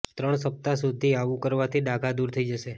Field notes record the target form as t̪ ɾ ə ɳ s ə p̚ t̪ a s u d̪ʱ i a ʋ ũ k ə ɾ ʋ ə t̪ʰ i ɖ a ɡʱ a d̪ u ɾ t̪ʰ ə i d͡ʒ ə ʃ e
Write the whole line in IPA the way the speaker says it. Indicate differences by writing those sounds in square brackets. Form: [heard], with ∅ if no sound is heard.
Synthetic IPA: t̪ ɾ ə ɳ s ə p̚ t̪ a s u d̪ʱ i a ʋ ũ k ə ɾ ʋ [a] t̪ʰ i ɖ a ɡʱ a d̪ u ɾ t̪ʰ ə i d͡ʒ ə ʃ e

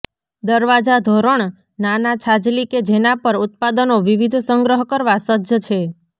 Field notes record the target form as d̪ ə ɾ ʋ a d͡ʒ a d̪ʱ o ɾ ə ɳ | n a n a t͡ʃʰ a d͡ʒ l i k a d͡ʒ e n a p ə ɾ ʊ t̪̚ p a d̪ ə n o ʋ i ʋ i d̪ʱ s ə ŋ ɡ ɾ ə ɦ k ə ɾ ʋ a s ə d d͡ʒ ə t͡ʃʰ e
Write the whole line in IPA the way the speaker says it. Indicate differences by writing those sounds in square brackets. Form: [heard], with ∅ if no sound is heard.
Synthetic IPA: d̪ ə ɾ ʋ a d͡ʒ a d̪ʱ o ɾ ə ɳ | n a n a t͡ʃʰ a d͡ʒ l i k [e] d͡ʒ e n a p ə ɾ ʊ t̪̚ p a d̪ ə n o ʋ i ʋ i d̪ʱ s ə ŋ ɡ ɾ ə ɦ k ə ɾ ʋ a s ə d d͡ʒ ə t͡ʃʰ e

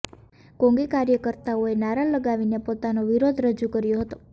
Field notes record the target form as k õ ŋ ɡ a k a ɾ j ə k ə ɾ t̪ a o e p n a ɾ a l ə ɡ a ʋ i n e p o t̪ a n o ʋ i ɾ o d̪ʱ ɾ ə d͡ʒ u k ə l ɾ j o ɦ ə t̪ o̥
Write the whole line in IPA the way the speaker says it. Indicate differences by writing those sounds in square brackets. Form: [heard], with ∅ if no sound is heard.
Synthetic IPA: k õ ŋ ɡ [i] k a ɾ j ə k ə ɾ t̪ a o e [∅] n a ɾ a l ə ɡ a ʋ i n e p o t̪ a n o ʋ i ɾ o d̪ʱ ɾ ə d͡ʒ u k ə [∅] ɾ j o ɦ ə t̪ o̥

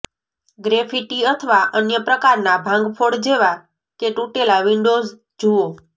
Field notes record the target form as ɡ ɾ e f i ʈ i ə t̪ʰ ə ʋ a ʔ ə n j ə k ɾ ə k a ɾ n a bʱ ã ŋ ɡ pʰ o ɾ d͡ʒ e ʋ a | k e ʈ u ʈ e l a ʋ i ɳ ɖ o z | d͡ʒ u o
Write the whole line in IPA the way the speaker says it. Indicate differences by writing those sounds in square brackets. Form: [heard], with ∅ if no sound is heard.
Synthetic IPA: ɡ ɾ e f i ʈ i ə t̪ʰ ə ʋ a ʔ ə n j ə [p] ɾ ə k a ɾ n a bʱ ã ŋ ɡ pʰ o [ɽ] d͡ʒ e ʋ a | k e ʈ u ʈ e l a ʋ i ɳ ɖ o z | d͡ʒ u o

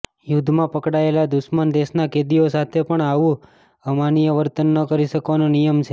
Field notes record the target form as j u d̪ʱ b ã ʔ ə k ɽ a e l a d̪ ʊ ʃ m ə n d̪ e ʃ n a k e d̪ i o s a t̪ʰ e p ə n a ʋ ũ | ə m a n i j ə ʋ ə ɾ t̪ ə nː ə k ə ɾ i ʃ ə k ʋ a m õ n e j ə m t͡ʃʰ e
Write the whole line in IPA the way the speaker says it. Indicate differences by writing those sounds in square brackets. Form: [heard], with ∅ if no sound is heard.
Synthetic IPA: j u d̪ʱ [m] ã [p] ə k ɽ a e l a d̪ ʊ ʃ m ə n d̪ e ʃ n a k e d̪ i o s a t̪ʰ e p ə [ɳ] a ʋ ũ | ə m a n i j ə ʋ ə ɾ t̪ ə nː ə k ə ɾ i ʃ ə k ʋ a [n] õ n [i] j ə m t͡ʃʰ e

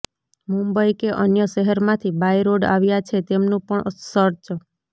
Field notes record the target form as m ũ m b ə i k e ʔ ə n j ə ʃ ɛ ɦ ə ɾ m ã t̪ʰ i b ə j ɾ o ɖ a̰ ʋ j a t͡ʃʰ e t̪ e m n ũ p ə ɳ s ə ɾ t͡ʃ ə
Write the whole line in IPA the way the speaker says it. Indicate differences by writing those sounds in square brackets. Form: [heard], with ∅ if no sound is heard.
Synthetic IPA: m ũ m b ə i k e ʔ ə n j ə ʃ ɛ ɦ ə ɾ m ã t̪ʰ i b [a] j ɾ o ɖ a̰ ʋ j a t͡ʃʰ e t̪ e m n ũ p ə ɳ s ə ɾ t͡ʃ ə

